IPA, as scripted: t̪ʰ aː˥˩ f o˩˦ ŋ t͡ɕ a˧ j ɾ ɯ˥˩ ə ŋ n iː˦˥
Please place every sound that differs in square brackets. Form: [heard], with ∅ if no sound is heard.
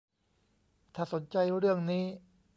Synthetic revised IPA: t̪ʰ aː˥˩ [s] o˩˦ [n] t͡ɕ a˧ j ɾ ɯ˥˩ ə ŋ n iː˦˥